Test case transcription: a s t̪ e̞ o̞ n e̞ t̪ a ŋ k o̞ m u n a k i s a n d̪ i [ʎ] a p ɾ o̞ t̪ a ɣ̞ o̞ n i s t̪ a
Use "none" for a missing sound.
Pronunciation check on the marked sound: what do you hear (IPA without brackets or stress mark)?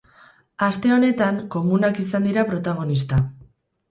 ɾ